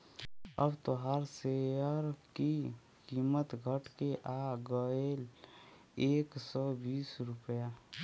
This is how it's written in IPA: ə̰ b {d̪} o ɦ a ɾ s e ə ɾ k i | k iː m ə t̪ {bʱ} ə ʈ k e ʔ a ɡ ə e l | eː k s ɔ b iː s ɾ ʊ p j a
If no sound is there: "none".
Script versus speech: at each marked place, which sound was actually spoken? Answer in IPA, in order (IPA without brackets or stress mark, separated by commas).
t̪, ɡʱ